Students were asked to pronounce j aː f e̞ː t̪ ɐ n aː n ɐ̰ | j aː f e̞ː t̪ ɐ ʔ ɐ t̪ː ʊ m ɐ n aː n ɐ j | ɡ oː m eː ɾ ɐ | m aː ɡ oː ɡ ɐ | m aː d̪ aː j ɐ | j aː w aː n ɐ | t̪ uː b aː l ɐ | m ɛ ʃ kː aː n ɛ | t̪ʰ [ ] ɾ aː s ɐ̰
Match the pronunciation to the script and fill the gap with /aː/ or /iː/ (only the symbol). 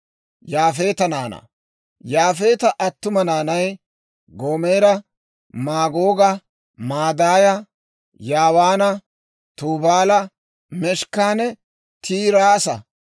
iː